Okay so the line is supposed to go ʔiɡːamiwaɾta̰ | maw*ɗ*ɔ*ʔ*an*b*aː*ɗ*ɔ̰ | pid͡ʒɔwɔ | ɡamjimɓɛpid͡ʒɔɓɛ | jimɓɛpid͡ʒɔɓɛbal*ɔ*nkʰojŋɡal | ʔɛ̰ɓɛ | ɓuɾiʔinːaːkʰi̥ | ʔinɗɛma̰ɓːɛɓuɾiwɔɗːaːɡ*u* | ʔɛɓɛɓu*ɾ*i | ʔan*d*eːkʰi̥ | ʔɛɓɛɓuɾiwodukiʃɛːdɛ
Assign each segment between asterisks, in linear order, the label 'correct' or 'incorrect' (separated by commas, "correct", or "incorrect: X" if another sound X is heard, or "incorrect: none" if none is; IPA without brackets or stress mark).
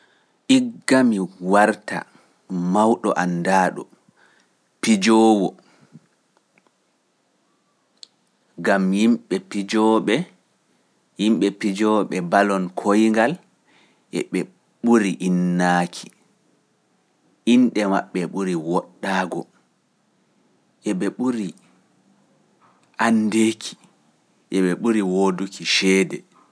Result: correct, correct, incorrect: d, correct, correct, incorrect: ɔ, correct, correct